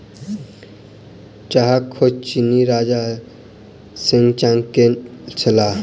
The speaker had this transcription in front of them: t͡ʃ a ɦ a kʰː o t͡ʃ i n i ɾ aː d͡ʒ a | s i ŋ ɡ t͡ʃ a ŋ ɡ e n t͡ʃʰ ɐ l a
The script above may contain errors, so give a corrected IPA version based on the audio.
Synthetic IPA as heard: t͡ʃ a ɦ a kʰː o t͡ʃ i n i ɾ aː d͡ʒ a | s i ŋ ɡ t͡ʃ a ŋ k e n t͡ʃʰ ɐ l a